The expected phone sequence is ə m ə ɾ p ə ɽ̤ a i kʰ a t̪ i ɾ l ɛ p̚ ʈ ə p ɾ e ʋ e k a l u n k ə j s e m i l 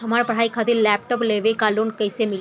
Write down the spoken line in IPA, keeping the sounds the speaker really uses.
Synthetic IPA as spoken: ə m a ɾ p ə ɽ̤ a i kʰ a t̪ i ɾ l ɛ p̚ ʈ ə p l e ʋ e k a l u n k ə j s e m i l